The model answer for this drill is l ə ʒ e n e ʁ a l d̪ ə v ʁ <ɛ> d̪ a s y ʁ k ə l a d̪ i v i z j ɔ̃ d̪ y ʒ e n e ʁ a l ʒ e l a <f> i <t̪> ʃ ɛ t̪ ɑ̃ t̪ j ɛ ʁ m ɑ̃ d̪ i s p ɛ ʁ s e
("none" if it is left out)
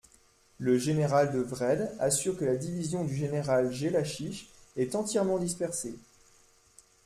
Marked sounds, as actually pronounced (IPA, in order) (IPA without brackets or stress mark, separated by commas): ɛ, ʃ, none